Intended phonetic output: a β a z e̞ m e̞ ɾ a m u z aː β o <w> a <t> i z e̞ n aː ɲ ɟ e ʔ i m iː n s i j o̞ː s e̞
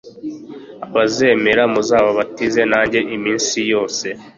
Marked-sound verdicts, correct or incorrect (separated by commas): incorrect, correct